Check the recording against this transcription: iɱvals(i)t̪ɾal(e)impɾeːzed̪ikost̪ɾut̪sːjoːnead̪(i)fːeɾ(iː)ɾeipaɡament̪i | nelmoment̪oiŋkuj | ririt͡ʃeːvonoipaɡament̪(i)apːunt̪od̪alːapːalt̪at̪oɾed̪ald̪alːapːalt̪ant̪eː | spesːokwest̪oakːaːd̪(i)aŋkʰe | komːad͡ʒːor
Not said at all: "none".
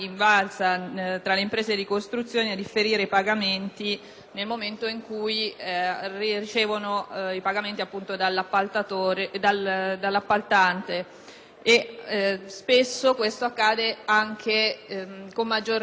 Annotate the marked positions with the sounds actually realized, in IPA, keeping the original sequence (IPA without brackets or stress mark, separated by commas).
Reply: a, e, i, iː, i, e